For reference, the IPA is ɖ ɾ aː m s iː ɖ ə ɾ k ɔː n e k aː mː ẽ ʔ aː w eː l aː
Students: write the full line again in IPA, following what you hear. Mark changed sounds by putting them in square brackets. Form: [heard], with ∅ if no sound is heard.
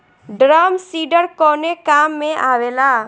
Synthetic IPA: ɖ ɾ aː m s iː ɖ ə ɾ k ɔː n e k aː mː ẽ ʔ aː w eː l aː